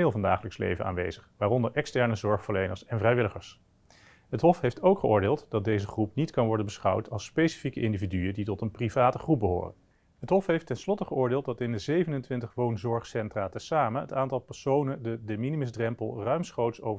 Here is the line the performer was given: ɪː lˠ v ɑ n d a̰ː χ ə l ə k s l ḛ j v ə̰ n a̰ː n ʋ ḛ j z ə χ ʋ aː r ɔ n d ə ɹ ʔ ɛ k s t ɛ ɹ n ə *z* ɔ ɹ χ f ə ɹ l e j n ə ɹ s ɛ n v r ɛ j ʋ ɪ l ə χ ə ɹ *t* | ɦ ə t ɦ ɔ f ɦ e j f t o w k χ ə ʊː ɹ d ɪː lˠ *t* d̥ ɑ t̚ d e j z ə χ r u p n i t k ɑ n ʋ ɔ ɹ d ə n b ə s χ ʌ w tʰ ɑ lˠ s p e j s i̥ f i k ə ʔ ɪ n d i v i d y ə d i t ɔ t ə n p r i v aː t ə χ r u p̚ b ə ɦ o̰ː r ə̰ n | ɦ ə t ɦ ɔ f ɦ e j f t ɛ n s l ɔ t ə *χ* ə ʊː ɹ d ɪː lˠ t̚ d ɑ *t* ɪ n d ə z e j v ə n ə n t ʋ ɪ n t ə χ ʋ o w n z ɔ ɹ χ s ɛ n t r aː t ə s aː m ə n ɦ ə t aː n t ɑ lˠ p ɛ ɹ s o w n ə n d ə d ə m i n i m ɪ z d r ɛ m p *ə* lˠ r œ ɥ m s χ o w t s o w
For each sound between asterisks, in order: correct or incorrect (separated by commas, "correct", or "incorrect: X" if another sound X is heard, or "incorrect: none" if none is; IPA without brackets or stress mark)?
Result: correct, incorrect: s, correct, correct, correct, correct